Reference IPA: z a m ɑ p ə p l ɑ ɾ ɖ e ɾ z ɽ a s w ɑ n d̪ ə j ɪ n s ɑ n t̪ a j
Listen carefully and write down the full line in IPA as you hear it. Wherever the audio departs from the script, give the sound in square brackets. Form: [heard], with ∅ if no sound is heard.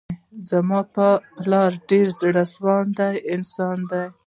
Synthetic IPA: z a m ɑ p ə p l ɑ ɾ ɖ e ɾ z ɽ a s w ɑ n d̪ [a] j ɪ n s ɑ n [d̪] a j